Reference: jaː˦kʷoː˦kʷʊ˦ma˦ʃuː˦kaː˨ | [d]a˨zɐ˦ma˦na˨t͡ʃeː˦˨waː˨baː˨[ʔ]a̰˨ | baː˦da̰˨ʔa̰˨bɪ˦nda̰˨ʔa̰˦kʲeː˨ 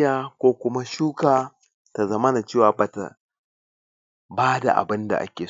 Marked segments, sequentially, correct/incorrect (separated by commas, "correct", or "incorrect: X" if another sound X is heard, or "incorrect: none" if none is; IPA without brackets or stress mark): incorrect: t, incorrect: t